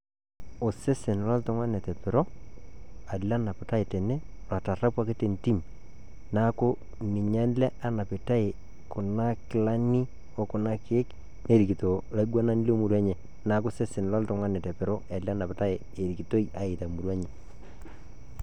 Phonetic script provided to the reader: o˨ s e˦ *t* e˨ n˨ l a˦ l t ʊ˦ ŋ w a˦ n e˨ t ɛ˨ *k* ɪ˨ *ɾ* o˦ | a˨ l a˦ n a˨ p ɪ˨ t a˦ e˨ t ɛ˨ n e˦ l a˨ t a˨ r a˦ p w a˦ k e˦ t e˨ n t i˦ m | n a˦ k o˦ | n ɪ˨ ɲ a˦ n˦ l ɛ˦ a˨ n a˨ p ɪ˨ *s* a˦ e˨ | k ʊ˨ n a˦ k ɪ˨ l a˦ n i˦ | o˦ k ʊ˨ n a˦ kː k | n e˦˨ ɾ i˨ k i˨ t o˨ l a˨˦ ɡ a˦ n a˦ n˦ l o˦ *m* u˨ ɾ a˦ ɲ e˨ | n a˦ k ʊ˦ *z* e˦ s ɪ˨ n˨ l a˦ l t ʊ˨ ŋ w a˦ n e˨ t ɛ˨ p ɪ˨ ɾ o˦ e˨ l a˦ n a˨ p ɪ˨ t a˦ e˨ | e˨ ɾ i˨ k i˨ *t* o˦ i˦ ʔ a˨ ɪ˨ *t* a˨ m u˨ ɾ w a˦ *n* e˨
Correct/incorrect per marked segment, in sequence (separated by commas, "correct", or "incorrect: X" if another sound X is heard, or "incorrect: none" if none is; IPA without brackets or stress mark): incorrect: s, incorrect: p, correct, incorrect: t, correct, incorrect: s, correct, correct, incorrect: ɲ